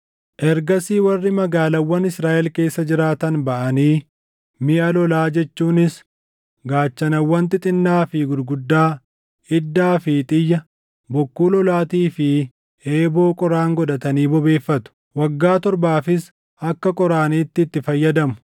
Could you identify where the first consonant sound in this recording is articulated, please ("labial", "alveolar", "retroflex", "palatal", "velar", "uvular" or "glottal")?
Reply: glottal